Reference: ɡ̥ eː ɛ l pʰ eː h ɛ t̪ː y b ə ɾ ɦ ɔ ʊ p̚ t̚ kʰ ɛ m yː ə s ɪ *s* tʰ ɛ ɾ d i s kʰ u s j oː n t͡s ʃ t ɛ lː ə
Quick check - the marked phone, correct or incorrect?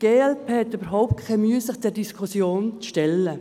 incorrect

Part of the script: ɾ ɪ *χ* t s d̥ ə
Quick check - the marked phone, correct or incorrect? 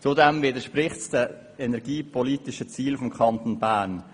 correct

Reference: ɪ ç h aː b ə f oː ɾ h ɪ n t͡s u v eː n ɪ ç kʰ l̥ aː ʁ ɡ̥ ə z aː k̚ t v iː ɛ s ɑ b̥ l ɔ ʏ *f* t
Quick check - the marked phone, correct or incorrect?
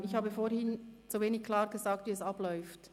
correct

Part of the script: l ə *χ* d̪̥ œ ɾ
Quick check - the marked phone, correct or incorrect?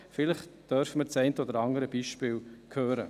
correct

